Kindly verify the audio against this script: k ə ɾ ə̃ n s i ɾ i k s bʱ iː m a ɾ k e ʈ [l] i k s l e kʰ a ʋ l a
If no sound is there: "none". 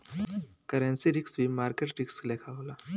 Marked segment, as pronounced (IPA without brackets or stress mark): ɾ